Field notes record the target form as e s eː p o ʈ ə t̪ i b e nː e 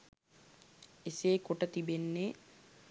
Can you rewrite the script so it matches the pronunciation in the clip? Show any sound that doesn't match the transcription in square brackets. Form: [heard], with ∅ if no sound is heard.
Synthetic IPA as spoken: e s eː [k] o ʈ ə t̪ i b e nː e